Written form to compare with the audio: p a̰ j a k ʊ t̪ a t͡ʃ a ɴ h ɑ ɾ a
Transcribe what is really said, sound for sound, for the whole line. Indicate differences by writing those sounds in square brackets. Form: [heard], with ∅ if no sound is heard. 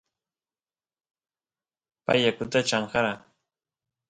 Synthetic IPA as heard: p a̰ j a k ʊ t̪ a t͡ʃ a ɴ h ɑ ɾ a